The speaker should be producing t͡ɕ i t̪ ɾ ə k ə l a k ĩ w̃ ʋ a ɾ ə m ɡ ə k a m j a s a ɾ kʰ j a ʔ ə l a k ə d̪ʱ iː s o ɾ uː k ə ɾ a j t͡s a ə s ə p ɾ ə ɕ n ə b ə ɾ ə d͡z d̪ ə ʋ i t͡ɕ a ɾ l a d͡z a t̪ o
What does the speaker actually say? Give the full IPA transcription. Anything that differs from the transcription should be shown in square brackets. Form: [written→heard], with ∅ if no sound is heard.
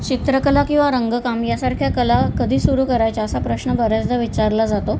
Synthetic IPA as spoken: t͡ɕ i t̪ ɾ ə k ə l a k ĩ w̃ ʋ a ɾ ə [m→ŋ] ɡ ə k a m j a s a ɾ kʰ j a [ʔ→k] ə l a k ə d̪ʱ iː s [o→u] ɾ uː k ə ɾ a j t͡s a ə s [ə→a] p ɾ ə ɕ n ə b ə ɾ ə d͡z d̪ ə ʋ i t͡ɕ a ɾ l a d͡z a t̪ o